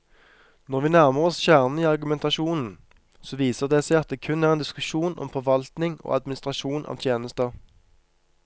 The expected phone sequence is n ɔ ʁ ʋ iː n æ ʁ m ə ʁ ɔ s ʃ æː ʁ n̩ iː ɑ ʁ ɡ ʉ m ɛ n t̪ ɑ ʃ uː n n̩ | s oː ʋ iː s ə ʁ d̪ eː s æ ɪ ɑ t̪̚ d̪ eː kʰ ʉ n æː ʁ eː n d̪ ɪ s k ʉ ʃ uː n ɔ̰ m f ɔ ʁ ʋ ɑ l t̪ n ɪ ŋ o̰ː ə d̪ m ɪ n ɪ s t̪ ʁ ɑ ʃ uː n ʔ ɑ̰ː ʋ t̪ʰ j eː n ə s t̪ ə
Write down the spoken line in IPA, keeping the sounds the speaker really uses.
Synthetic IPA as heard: n ɔ ʁ ʋ iː n æ ʁ m ə ʁ ɔ s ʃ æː ʁ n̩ iː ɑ ʁ ɡ ʉ m ɛ n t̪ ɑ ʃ uː n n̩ | s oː ʋ iː s ə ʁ d̪ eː s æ ɪ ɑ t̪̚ d̪ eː kʰ ʉ n æː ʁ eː n d̪ ɪ s k ʉ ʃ uː n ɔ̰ m f ɔ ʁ ʋ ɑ l t̪ n ɪ ŋ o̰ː ɑ d̪ m ɪ n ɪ s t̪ ʁ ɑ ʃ uː n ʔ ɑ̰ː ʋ t̪ʰ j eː n ə s t̪ ə